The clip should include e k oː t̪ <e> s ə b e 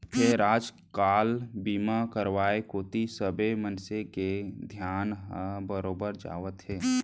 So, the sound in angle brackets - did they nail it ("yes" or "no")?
no